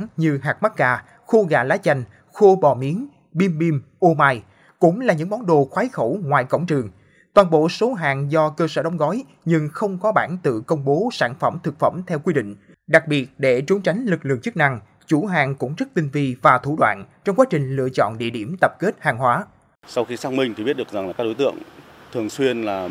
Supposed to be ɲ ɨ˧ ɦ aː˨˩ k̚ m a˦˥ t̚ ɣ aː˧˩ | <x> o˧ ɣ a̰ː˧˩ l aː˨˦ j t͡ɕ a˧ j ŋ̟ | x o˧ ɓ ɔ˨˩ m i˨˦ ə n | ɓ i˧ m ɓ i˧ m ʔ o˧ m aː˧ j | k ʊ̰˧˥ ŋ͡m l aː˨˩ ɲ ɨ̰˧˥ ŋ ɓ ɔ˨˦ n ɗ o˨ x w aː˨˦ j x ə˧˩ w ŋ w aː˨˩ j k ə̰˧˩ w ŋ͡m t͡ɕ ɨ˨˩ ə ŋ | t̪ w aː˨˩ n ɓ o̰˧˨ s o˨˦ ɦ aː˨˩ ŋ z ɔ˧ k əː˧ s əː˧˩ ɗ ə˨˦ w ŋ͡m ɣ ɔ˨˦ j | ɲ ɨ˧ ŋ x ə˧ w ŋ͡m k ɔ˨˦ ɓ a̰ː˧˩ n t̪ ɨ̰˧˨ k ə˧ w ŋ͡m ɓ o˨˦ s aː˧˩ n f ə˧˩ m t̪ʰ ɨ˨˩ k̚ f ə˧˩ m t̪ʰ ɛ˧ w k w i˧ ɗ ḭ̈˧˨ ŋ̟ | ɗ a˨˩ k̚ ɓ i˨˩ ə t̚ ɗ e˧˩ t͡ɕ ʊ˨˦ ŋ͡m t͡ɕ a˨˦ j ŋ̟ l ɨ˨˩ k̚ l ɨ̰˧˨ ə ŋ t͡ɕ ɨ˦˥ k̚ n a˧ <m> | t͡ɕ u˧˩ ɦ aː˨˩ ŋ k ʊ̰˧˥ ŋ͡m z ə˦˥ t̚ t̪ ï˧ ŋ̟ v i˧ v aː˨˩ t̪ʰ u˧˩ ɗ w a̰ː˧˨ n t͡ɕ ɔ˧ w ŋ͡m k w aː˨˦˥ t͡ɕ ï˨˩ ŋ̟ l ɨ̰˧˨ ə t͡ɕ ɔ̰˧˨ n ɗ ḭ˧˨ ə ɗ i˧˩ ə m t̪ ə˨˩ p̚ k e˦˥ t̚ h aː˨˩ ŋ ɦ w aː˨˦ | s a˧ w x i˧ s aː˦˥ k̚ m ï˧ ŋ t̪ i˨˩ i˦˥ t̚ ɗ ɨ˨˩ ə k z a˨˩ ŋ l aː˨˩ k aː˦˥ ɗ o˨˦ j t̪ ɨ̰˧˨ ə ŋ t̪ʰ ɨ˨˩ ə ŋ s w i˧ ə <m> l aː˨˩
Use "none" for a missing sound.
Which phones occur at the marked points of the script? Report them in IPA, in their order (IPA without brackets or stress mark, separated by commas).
x, ŋ, n